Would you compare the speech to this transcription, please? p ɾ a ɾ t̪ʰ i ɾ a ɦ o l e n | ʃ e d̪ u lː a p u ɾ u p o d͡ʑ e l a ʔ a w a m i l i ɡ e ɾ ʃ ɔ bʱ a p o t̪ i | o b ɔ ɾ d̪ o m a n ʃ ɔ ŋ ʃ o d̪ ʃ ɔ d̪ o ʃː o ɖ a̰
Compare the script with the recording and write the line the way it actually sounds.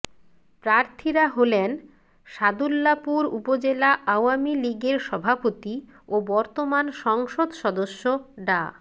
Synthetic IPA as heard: p ɾ a ɾ t̪ʰ i ɾ a ɦ o l e n | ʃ a d̪ u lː a p u ɾ u p o d͡ʑ e l a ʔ a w a m i l i ɡ e ɾ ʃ ɔ bʱ a p o t̪ i | o b ɔ ɾ t̪ o m a n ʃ ɔ ŋ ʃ o d̪ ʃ ɔ d̪ o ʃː o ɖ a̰